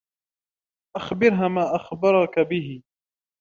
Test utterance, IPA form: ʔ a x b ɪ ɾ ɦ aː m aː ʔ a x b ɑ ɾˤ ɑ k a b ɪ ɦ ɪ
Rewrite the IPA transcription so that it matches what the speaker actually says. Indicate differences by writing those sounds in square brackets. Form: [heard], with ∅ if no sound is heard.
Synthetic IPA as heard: ʔ a x b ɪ ɾ ɦ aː m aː ʔ a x b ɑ ɾˤ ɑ k a b ɪ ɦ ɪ